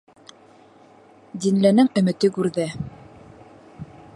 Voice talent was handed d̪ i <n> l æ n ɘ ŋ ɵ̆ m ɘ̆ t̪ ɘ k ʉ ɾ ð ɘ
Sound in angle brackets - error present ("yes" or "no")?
no